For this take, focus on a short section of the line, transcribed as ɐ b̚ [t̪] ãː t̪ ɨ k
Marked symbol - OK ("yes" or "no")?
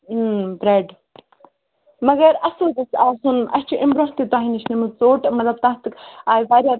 yes